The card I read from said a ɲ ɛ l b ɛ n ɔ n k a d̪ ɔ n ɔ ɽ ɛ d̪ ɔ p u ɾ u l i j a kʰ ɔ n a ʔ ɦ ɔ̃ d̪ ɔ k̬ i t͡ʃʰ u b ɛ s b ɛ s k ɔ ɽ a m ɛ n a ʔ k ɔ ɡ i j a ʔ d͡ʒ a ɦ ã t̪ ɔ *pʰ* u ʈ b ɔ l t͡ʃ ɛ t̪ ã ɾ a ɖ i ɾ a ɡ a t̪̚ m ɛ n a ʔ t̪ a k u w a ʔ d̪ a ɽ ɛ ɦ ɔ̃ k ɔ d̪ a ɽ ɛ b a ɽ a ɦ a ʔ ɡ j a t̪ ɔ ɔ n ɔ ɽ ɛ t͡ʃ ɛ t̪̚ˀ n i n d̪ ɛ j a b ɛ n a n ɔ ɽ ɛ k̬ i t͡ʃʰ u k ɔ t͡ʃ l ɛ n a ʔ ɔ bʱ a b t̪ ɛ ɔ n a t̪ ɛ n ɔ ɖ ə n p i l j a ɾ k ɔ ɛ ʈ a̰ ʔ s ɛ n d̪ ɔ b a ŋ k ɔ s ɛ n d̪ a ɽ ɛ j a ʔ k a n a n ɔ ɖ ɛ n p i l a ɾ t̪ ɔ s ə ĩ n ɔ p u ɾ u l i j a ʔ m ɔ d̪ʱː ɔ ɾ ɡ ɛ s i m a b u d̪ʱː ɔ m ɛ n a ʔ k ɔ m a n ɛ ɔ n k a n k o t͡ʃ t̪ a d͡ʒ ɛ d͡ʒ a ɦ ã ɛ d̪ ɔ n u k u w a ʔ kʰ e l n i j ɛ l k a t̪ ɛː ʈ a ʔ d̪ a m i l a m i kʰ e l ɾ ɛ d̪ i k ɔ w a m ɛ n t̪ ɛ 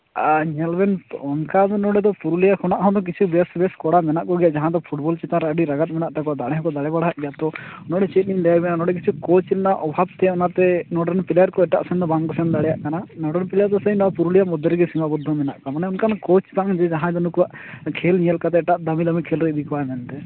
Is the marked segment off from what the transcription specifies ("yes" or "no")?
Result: no